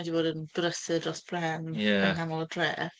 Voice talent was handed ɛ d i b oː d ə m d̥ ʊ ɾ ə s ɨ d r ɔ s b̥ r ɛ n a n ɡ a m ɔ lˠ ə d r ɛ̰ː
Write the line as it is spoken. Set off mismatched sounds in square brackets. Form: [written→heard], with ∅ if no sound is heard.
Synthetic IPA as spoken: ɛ d i b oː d ə [m→n] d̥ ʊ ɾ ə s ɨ d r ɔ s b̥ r ɛ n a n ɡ a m ɔ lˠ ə d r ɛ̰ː